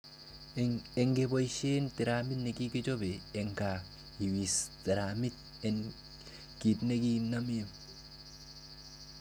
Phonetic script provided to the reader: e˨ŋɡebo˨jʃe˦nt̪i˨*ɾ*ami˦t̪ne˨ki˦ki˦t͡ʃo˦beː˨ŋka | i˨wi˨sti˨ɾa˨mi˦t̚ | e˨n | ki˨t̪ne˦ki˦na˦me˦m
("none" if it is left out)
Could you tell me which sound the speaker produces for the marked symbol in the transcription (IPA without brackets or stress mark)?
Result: ɾ